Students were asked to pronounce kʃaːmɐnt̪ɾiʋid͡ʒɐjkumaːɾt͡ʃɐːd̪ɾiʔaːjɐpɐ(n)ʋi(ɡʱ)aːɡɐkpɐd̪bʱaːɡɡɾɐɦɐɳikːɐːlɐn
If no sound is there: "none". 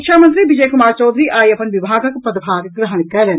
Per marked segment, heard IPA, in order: n, bʱ

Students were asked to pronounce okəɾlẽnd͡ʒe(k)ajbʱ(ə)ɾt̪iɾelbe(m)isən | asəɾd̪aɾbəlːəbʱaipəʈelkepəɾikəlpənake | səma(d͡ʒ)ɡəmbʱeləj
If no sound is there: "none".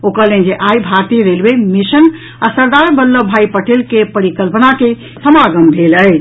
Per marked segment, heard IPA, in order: ʔ, a, m, none

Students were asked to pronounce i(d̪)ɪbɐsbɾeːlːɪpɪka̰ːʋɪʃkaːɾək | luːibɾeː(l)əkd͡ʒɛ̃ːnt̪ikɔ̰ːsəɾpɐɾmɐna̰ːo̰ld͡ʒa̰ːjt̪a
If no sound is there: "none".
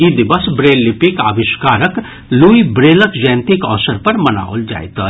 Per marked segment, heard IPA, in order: d̪, l

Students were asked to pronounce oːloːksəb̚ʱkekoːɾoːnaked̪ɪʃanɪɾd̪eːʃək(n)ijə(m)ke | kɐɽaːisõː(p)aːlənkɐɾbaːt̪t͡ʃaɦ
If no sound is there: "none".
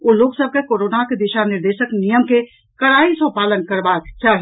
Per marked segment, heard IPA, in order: n, m, p

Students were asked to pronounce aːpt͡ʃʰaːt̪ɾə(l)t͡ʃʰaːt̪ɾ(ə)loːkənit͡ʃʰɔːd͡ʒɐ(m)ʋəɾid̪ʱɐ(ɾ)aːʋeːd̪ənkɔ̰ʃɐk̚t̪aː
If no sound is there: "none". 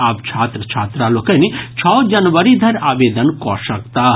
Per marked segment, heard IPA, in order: none, a, n, ɾ

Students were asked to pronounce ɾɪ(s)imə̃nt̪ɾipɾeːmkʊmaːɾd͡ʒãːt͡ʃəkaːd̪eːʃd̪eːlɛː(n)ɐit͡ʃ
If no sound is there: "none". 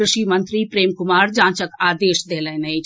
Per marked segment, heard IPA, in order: ʃ, n

